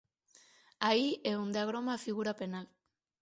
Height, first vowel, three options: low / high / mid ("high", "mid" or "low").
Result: low